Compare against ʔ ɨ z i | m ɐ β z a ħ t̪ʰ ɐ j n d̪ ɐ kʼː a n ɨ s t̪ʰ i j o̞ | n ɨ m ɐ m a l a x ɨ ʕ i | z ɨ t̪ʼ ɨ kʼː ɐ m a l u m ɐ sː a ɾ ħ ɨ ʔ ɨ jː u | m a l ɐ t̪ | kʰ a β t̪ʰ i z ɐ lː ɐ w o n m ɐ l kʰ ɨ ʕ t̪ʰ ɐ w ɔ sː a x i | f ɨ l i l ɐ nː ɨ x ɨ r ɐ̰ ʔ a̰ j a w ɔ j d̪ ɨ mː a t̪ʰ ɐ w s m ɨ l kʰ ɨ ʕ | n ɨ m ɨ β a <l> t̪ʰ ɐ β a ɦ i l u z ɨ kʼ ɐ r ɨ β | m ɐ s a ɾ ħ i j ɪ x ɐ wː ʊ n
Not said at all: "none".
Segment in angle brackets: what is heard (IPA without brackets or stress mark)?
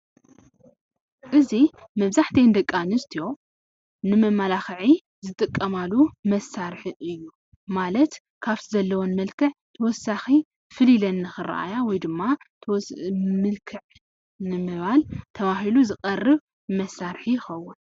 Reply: l